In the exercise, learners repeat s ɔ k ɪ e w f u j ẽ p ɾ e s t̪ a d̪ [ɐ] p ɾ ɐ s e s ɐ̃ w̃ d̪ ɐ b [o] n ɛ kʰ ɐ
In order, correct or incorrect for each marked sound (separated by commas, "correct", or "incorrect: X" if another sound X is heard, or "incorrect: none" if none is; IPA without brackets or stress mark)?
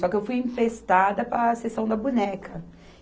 correct, incorrect: u